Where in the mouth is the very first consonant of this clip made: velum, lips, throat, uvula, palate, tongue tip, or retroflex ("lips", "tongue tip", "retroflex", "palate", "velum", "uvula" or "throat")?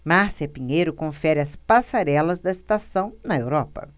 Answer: lips